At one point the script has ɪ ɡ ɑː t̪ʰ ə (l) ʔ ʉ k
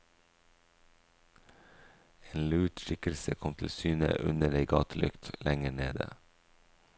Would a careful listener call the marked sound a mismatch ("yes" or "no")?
no